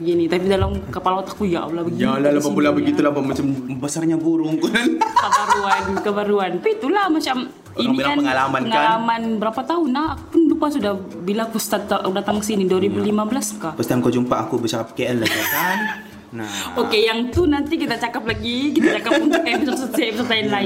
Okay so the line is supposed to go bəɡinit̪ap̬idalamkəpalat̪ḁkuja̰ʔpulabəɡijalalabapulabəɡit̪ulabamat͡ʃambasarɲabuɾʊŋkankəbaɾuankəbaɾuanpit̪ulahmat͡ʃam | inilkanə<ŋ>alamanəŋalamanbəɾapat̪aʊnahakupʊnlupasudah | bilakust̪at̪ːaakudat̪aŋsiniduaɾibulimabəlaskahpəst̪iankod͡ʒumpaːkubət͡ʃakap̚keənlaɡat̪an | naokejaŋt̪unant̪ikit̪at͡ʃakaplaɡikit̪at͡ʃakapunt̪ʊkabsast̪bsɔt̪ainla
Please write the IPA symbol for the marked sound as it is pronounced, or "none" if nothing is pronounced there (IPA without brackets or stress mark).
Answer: ŋ